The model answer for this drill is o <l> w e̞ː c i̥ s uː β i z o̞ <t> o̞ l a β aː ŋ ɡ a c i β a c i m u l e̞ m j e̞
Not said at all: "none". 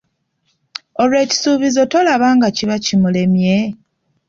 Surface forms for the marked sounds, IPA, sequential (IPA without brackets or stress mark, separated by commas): l, t